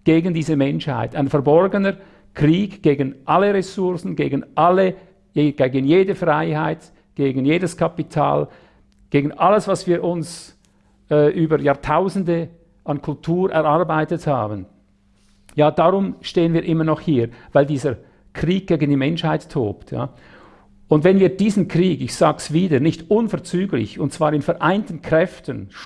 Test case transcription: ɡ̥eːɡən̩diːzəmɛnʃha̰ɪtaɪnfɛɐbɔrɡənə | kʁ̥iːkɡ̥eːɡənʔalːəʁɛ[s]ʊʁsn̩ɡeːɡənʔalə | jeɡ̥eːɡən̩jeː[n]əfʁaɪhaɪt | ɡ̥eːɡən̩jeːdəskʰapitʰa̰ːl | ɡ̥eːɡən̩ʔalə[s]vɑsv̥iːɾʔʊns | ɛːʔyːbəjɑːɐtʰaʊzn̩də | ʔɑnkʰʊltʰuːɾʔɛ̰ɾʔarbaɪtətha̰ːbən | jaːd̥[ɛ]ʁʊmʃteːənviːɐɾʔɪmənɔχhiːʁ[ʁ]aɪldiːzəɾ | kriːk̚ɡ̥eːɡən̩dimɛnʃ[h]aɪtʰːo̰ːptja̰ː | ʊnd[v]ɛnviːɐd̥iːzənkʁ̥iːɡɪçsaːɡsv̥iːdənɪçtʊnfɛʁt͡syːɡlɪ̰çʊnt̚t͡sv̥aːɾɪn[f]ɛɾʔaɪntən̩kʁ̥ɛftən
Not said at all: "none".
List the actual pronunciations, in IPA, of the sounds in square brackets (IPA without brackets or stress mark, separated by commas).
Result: s, d, s, a, v, h, v, f